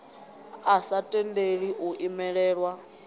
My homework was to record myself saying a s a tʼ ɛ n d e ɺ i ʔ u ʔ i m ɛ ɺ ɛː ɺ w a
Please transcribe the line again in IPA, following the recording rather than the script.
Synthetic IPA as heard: a s a tʼ ɛ n d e ɺ i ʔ u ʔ i m ɛ ɺ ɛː ɺ w a